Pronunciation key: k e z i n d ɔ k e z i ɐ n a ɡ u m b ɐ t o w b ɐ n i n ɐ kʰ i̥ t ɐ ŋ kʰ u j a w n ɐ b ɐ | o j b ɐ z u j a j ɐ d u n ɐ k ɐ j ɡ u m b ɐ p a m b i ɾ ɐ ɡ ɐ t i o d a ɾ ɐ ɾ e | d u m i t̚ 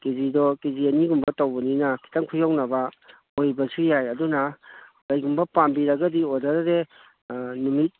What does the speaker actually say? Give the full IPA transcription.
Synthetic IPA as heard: k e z i d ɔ k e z i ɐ n i ɡ u m b ɐ t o w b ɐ n i n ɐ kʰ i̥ t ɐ ŋ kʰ u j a w n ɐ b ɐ | o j b ɐ s u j a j ɐ d u n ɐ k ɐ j ɡ u m b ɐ p a m b i ɾ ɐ ɡ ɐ d i o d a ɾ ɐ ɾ e | n u m i t̚